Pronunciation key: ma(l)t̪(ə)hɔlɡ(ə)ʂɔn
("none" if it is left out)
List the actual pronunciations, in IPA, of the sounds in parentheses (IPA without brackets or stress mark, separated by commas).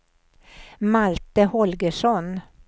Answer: l, ə, ə